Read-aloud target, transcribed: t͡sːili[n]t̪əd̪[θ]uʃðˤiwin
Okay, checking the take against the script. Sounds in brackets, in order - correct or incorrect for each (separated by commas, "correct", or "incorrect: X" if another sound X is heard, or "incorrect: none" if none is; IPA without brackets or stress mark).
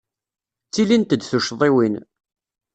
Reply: correct, correct